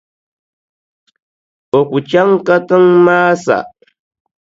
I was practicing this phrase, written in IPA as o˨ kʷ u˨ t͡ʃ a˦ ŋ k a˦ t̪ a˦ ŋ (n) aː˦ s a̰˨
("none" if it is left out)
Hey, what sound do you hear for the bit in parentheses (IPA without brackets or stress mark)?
m